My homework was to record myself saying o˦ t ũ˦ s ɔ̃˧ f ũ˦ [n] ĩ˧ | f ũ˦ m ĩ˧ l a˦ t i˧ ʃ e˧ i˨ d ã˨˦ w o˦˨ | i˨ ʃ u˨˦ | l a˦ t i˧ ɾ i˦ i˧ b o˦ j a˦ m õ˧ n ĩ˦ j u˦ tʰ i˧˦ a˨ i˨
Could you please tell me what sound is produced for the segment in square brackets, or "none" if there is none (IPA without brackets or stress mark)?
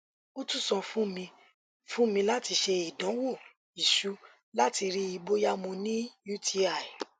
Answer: m